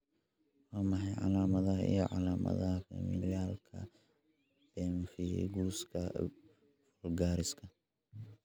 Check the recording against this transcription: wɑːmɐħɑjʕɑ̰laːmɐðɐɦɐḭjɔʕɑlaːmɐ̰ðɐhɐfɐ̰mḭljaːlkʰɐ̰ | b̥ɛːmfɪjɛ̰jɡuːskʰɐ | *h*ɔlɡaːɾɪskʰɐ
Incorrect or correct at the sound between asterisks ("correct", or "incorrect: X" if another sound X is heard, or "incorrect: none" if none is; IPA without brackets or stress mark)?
incorrect: f